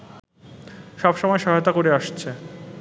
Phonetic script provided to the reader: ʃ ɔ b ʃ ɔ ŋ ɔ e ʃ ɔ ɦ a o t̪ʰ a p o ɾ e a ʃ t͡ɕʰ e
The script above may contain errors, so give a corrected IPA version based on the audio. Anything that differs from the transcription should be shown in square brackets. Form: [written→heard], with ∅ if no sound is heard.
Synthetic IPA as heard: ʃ ɔ b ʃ ɔ [ŋ→m] ɔ e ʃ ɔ ɦ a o [t̪ʰ→t̪] a [p→k] o ɾ e a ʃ t͡ɕʰ e